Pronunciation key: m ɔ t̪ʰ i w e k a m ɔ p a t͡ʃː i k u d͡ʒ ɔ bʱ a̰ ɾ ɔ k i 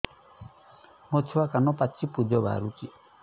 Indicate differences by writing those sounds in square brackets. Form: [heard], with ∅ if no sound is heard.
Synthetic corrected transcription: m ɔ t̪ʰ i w [a] k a [n] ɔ p a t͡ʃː i [p] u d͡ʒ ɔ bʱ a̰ ɾ [u] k i